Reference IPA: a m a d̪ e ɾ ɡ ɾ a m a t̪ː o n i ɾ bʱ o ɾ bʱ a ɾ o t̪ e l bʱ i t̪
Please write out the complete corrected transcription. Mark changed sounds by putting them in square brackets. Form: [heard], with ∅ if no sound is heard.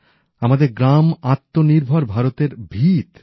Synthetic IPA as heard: a m a d̪ e ɾ ɡ ɾ a m a t̪ː o n i ɾ bʱ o ɾ bʱ a ɾ o t̪ e [ɾ] bʱ i t̪

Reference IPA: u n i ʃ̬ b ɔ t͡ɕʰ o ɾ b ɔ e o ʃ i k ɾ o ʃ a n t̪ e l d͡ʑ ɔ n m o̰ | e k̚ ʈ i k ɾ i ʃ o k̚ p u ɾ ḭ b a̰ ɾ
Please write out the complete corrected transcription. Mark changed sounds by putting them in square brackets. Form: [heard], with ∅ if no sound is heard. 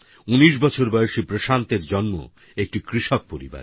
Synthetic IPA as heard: u n i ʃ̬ b ɔ t͡ɕʰ o ɾ b ɔ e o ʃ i [p] ɾ o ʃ a n t̪ e [ɾ] d͡ʑ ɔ n m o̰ | e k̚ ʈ i k ɾ i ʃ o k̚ p [o] ɾ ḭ b a̰ ɾ

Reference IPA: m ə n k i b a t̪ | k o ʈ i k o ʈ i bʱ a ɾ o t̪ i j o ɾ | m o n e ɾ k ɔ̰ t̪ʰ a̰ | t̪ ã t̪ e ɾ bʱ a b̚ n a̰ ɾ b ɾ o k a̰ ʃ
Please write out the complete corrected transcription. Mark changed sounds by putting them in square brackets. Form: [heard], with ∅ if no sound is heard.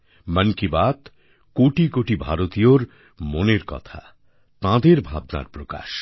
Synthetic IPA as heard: m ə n k i b a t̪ | k o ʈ i k o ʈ i bʱ a ɾ o t̪ i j o ɾ | m o n e ɾ k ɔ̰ t̪ʰ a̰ | t̪ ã [d̪] e ɾ bʱ a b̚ n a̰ ɾ [p] ɾ o k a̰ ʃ

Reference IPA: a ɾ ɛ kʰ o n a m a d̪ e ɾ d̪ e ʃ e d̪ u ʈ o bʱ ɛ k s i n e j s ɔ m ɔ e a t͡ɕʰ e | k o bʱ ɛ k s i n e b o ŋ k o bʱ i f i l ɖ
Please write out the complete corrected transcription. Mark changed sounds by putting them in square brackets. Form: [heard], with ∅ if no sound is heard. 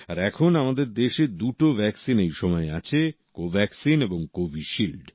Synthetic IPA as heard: a ɾ ɛ kʰ o n a m a d̪ e ɾ d̪ e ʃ e d̪ u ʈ o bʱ ɛ k s i n e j [ʃ] ɔ m ɔ e a t͡ɕʰ e | k o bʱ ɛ k s i n e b o ŋ k o bʱ i [ʃ] i l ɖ

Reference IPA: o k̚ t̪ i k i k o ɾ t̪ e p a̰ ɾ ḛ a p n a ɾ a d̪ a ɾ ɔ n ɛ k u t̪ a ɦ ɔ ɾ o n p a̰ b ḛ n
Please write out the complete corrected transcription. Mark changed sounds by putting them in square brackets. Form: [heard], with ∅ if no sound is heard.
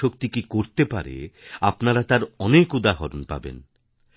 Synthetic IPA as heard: o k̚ t̪ i k i k o ɾ t̪ e p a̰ ɾ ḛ a p n a ɾ a [t̪] a ɾ ɔ n [e] k u [d̪] a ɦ ɔ ɾ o n p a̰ b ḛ n

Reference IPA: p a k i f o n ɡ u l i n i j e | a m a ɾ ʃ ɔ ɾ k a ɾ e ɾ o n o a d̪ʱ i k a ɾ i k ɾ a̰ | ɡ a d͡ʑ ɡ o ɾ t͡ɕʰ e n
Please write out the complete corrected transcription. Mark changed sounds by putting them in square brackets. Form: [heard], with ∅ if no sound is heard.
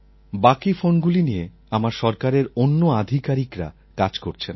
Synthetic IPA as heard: [b] a k i f o n ɡ u l i n i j e | a m a ɾ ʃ ɔ ɾ k a ɾ e ɾ o [nː] o a d̪ʱ i k a ɾ i k ɾ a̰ | [k] a d͡ʑ [k] o ɾ t͡ɕʰ e n

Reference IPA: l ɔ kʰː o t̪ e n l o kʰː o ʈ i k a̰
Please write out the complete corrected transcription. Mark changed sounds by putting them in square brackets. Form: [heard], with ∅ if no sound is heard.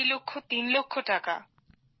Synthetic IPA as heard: l [o] kʰː o t̪ [i] n l o kʰː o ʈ [a] k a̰

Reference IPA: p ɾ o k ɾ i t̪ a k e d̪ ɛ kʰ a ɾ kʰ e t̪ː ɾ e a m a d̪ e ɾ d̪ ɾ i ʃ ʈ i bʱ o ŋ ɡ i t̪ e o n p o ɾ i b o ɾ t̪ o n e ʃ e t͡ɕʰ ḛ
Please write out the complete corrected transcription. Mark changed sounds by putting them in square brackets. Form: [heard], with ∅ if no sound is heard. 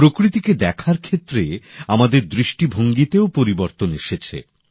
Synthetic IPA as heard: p ɾ o k ɾ i t̪ [i] k e d̪ ɛ kʰ a ɾ kʰ e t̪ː ɾ e a m a d̪ e ɾ d̪ ɾ i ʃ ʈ i bʱ o ŋ ɡ i t̪ e o [∅] p o ɾ i b o ɾ t̪ o n e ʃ e t͡ɕʰ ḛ

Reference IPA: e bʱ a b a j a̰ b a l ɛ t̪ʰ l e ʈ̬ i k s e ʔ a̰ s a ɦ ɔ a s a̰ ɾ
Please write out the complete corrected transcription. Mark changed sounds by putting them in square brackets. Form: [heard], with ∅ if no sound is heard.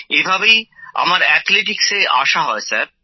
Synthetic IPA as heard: e bʱ a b [e] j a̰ [m] a [ɾ] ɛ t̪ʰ l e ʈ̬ i k s e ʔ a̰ [ʃ] a ɦ ɔ [e] s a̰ ɾ

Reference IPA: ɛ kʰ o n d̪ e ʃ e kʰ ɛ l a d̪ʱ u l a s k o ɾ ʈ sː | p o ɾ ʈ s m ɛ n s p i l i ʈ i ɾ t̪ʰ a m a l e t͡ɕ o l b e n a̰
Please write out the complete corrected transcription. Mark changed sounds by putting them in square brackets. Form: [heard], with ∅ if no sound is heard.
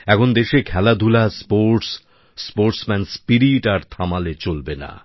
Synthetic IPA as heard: ɛ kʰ o n d̪ e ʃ e kʰ ɛ l a d̪ʱ u l a s [p] o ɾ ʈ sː | p o ɾ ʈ s m ɛ n s p i [ɾ] i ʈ [a] ɾ t̪ʰ a m a l e t͡ɕ o l b e n a̰

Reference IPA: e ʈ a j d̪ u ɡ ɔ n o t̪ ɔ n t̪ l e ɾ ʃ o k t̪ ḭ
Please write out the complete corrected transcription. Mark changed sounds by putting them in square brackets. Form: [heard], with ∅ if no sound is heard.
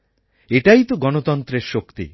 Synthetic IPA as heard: e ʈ a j [t̪] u ɡ ɔ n o t̪ ɔ n t̪ [ɾ] e ɾ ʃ o k t̪ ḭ

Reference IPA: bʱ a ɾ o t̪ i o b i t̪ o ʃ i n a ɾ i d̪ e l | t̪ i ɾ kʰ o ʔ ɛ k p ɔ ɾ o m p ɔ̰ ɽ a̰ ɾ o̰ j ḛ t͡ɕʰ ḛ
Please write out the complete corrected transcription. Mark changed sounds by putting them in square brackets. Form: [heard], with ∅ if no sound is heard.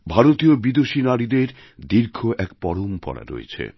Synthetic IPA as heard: bʱ a ɾ o t̪ i o b i [d̪] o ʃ i n a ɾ i d̪ e [ɾ] | [d̪] i ɾ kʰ o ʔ ɛ k p ɔ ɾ o m p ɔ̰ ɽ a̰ ɾ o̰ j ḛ t͡ɕʰ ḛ

